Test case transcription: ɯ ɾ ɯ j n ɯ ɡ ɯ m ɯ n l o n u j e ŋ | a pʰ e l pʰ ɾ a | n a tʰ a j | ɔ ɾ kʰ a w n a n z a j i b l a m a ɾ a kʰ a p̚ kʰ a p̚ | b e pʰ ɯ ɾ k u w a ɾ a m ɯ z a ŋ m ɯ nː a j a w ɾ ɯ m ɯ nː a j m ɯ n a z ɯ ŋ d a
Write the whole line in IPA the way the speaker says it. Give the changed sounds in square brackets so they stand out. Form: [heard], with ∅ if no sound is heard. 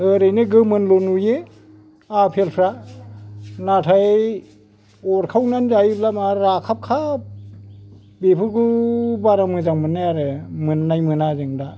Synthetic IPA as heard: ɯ ɾ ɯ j n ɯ ɡ ɯ m ɯ n l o n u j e [∅] | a pʰ e l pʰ ɾ a | n a tʰ a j | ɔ ɾ kʰ a w n a n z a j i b l a m a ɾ a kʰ a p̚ kʰ a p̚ | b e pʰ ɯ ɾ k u [b] a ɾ a m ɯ z a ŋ m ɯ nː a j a [∅] ɾ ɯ m ɯ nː a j m ɯ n a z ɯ ŋ d a